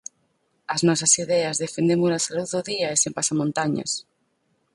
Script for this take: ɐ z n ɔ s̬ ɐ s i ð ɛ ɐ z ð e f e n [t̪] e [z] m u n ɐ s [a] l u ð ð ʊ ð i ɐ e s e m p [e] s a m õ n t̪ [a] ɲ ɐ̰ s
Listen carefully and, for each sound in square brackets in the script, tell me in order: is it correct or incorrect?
incorrect, incorrect, correct, incorrect, correct

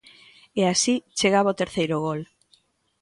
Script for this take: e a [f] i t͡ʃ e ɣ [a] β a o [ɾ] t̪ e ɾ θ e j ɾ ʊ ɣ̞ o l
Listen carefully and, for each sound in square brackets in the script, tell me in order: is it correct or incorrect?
incorrect, correct, incorrect

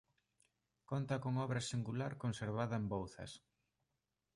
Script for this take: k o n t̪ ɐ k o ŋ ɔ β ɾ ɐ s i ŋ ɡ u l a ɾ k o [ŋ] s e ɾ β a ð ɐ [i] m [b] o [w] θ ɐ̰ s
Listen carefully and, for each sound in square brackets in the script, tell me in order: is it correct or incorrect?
incorrect, incorrect, correct, correct

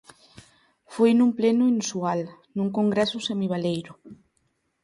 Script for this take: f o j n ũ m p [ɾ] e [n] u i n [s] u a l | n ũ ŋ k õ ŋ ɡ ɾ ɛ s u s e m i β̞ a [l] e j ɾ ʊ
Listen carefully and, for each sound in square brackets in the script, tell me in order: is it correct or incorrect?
incorrect, correct, correct, correct

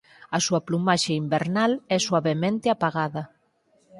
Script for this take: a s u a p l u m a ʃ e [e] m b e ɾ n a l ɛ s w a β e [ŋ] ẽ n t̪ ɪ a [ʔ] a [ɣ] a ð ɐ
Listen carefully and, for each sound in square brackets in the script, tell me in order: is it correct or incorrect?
incorrect, incorrect, incorrect, correct

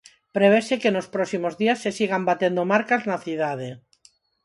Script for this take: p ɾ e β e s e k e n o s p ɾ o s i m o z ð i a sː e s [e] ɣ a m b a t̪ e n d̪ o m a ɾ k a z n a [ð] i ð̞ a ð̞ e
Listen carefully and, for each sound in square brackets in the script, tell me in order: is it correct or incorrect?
incorrect, incorrect

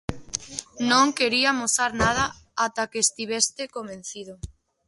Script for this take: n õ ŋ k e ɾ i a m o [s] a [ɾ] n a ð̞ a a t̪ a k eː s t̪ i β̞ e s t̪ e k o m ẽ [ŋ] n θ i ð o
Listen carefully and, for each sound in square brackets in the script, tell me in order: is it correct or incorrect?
correct, correct, incorrect

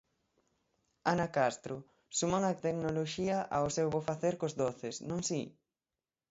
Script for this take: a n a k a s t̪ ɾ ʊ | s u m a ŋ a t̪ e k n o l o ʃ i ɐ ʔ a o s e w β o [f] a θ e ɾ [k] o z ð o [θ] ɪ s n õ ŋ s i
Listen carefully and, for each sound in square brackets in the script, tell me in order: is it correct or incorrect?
correct, correct, correct

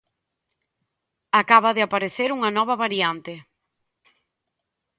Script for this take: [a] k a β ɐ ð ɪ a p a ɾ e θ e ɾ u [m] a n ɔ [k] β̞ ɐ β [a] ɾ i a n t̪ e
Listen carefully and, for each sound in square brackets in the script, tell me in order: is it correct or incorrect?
correct, incorrect, incorrect, correct

